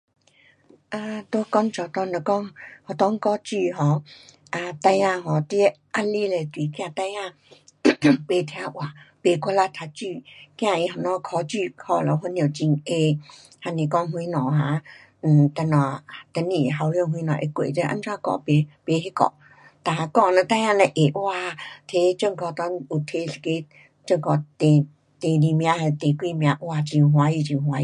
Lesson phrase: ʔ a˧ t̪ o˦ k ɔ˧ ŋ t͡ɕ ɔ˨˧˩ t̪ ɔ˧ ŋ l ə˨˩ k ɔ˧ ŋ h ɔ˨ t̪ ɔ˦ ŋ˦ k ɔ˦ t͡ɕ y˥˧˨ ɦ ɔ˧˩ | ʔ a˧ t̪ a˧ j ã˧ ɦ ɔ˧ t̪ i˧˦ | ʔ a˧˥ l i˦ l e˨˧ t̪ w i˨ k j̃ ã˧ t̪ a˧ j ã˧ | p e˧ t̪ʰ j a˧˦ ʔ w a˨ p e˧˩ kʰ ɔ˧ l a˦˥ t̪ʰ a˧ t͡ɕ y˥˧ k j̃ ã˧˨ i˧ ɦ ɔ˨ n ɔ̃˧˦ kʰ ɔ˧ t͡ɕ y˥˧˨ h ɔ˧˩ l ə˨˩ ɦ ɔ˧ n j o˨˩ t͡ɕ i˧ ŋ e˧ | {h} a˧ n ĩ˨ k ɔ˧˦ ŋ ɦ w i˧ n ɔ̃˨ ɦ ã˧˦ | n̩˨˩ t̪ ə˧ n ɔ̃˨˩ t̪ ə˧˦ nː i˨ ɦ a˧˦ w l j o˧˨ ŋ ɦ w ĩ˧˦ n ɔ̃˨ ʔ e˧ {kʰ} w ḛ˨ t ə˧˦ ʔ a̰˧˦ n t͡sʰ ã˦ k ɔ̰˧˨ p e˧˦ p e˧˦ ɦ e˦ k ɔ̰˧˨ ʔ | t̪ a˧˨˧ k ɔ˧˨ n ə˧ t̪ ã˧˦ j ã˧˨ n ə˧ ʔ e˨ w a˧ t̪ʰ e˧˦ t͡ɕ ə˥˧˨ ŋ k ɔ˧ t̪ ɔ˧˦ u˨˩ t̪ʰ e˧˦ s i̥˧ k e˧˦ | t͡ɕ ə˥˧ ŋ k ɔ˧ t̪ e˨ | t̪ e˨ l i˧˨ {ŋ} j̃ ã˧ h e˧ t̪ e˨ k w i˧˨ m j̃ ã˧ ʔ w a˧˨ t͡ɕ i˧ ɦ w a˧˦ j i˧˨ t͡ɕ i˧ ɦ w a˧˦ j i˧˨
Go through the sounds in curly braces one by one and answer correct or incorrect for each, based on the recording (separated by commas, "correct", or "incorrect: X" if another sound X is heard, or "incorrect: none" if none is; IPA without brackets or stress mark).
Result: correct, incorrect: k, incorrect: m